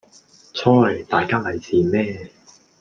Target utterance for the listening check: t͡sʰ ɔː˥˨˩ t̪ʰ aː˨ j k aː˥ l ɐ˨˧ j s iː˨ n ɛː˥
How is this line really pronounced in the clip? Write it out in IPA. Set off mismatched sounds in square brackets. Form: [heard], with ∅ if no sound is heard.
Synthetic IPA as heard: t͡sʰ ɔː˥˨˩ [t̪] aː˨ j k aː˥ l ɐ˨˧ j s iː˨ [m] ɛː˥